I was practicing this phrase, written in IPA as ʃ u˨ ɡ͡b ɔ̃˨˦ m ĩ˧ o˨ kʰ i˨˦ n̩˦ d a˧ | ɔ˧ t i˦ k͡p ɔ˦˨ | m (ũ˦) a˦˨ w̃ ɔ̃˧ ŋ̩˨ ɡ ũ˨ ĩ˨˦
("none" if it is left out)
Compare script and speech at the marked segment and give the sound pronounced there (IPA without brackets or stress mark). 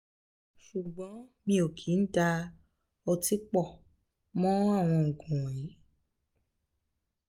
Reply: ɔ̃˦